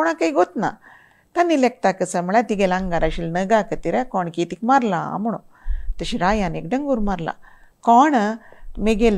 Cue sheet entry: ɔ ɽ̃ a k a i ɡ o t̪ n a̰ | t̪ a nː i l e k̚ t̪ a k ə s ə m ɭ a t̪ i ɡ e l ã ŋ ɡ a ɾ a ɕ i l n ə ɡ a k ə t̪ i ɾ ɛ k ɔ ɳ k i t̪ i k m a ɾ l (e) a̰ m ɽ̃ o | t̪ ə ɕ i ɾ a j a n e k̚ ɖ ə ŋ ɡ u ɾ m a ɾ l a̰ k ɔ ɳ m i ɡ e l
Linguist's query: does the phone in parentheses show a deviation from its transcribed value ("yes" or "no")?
yes